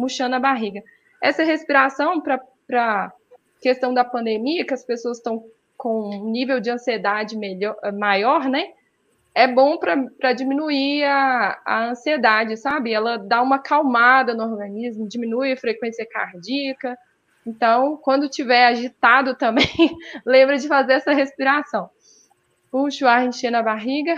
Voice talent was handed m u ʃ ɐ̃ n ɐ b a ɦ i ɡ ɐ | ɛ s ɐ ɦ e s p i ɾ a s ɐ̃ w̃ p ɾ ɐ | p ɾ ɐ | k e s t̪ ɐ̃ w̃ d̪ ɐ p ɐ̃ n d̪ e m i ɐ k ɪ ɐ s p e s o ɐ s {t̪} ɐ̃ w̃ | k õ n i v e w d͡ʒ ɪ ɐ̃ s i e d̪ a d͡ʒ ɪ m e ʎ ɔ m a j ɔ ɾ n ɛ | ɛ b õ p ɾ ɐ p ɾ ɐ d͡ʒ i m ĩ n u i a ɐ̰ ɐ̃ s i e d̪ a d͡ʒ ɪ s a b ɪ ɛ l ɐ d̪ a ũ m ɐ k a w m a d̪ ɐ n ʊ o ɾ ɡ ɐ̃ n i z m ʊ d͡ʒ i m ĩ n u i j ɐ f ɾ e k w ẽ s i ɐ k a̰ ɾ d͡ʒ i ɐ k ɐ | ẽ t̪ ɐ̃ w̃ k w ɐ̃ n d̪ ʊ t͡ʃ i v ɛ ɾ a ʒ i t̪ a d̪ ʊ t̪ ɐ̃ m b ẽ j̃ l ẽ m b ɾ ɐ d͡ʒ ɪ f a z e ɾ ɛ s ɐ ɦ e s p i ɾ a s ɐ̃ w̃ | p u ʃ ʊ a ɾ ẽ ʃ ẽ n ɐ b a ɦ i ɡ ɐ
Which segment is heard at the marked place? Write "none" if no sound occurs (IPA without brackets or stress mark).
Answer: t̪